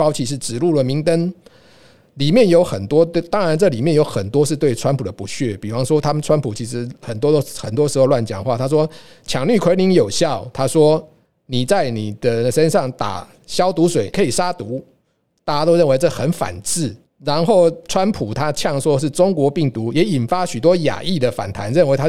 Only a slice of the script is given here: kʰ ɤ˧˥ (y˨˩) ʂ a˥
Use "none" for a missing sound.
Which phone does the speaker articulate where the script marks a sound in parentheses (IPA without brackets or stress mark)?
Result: i˨˩